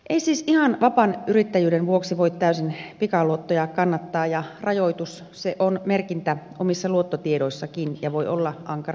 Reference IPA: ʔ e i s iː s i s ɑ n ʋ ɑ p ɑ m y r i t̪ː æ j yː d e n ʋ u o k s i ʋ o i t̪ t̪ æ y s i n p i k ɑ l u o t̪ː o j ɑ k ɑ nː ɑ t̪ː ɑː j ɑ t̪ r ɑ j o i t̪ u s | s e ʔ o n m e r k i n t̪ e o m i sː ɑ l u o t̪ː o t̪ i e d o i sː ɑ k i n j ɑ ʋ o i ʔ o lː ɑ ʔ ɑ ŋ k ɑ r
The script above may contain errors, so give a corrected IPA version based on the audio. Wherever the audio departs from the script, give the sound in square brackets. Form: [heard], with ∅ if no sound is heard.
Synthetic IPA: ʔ e i s iː s i [h] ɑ n ʋ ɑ p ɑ [n] y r i t̪ː æ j yː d e n ʋ u o k s i ʋ o i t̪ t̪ æ y s i n p i k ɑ l u o t̪ː o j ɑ k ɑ nː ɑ t̪ː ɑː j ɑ [∅] r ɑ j o i t̪ u s | s e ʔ o n m e r k i n t̪ [æ] o m i sː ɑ l u o t̪ː o t̪ i e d o i sː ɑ k i n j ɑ ʋ o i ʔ o lː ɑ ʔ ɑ ŋ k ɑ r

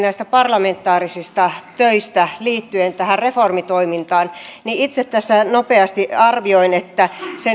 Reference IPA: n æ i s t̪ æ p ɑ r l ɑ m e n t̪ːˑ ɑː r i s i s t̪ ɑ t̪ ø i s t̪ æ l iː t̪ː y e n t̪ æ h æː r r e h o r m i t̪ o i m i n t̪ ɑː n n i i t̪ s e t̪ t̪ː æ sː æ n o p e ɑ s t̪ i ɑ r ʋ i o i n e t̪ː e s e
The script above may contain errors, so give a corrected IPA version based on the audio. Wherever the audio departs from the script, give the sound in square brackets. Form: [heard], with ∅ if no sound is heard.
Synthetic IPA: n æ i s t̪ æ p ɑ r l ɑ m e n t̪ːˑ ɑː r i s i s t̪ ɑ t̪ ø i s t̪ æ l iː t̪ː y e n t̪ æ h [æ] r r e [f] o r m i t̪ o i m i n t̪ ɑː n n i i t̪ s e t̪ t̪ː æ sː æ n o p e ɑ s t̪ i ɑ r ʋ i o i n e t̪ː [æ] s e

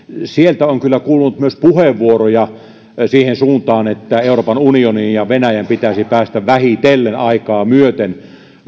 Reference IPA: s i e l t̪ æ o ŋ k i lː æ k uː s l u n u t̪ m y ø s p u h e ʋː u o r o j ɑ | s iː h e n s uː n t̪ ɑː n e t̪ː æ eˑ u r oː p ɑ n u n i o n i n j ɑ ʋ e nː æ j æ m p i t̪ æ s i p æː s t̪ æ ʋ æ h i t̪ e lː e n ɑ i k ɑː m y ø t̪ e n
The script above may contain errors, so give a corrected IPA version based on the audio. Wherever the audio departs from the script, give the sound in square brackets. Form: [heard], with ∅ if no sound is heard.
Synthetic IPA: s i e l t̪ æ o ŋ k [y] lː æ k uː [∅] l u n u t̪ m y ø s p u h e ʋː u o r o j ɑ | s iː h e n s uː n t̪ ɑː n e t̪ː æ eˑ u r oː p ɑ n u n i o n i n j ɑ ʋ e [n] æ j æ m p i t̪ æ s i p æː s t̪ æ ʋ æ h i t̪ e lː e n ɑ i k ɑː m y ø t̪ e n

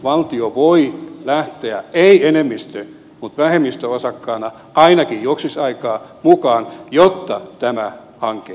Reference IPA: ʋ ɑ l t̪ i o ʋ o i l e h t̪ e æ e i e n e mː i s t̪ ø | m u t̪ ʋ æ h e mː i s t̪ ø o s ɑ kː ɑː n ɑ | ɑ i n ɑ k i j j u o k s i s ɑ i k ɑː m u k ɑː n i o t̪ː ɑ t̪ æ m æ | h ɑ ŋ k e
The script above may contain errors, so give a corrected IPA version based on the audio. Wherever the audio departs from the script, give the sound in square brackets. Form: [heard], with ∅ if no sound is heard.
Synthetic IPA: ʋ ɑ l t̪ i o ʋ o i l [æ] h t̪ e æ e i e n e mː i s t̪ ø | m u t̪ ʋ æ h e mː i s t̪ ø o s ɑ kː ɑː n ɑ | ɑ i n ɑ k i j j u o k s i s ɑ i k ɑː m u k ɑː n [j] o t̪ː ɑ t̪ æ m æ | h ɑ ŋ k e

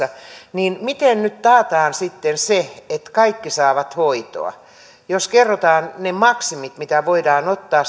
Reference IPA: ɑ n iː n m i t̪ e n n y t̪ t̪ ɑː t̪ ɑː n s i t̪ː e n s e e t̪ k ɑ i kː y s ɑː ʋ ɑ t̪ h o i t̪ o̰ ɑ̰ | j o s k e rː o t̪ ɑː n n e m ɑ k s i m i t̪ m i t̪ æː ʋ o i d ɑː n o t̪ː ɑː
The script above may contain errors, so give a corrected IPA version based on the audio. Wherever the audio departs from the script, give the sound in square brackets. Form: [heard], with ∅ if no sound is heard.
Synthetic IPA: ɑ n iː n m i t̪ e n n y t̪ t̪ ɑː t̪ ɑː n s i t̪ː e n s e e t̪ k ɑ i kː [i] s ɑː ʋ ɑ t̪ h o i t̪ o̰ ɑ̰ | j o s k e rː o t̪ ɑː n n e m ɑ k s i m i t̪ m i t̪ [æ] ʋ o i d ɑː n o t̪ː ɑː

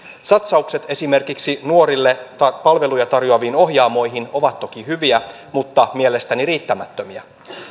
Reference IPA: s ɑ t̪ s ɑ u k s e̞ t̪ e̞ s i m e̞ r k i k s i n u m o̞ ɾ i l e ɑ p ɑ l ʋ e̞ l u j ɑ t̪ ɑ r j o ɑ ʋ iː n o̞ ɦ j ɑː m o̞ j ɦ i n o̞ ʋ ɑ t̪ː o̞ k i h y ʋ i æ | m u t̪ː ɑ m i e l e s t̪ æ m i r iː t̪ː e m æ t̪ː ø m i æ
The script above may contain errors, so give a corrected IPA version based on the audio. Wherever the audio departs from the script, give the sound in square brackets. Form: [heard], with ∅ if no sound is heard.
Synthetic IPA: s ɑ t̪ s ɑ u k s e̞ t̪ e̞ s i m e̞ r k i k s i n u [∅] o̞ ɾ i [lː] e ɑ p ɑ l ʋ e̞ l u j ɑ t̪ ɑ r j o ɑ ʋ iː n o̞ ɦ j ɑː m o̞ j ɦ i n o̞ ʋ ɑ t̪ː o̞ k i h y ʋ i æ | m u t̪ː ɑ m i e l e s t̪ æ [n] i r iː t̪ː [æ] m æ t̪ː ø m i æ

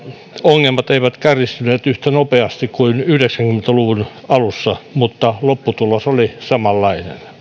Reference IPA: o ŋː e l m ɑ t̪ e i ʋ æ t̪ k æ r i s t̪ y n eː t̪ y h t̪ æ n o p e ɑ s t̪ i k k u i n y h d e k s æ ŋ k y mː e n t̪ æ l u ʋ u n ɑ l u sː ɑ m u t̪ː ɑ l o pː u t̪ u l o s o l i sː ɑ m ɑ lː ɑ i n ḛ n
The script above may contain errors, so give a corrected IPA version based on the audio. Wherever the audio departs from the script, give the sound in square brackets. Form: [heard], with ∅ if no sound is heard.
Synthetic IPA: o ŋː e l m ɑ t̪ e i ʋ æ t̪ k æ r i s t̪ y n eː t̪ y h t̪ æ n o p e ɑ s t̪ i k k u i n y h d e k s æ ŋ k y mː e n t̪ æ l u ʋ u n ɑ l u sː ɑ m u t̪ː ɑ l o pː u t̪ u l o s o l i [s] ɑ m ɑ lː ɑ i n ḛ n

